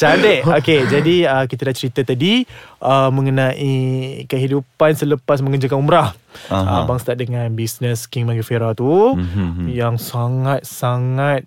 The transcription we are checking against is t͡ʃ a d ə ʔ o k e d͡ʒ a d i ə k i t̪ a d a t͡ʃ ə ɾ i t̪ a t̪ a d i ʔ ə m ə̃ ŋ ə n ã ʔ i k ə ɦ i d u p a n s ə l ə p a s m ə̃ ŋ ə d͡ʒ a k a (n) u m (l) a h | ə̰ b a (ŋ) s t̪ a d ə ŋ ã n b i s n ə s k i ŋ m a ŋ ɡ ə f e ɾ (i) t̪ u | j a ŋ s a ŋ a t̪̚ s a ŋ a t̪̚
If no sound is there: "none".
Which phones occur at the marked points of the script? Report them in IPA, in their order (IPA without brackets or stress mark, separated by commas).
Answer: n, ɾ, ŋ, a